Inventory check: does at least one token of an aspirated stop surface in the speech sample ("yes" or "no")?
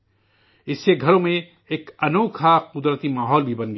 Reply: yes